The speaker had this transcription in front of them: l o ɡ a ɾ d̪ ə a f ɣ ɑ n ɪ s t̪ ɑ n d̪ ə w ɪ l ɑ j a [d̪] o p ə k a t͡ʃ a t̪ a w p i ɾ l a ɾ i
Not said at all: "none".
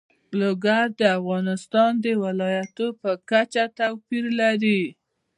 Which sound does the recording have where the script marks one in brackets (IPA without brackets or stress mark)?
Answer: t̪